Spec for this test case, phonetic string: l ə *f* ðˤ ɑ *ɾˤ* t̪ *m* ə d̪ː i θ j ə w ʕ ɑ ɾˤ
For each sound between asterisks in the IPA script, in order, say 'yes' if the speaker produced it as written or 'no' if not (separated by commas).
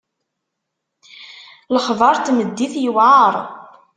no, yes, yes